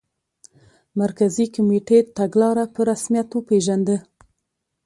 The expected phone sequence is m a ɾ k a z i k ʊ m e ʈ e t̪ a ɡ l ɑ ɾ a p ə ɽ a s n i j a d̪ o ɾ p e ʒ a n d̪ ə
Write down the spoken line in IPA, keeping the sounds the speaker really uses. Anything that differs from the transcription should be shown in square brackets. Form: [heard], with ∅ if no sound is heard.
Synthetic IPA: m a ɾ k a z i k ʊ m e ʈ e t̪ a ɡ l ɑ ɾ a p ə [ɾ] a s [m] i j a [t̪] o [∅] p e ʒ a n d̪ ə